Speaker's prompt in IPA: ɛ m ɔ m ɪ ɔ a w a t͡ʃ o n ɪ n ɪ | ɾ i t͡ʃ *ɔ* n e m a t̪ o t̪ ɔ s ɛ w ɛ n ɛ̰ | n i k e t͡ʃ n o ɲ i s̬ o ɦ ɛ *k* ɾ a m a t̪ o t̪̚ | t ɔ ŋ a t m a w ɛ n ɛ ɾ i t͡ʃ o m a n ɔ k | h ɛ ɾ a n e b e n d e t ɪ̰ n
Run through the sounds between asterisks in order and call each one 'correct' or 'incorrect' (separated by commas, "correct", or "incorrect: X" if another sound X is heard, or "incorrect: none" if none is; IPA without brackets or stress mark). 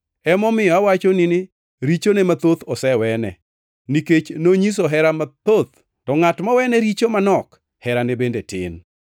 incorrect: o, incorrect: none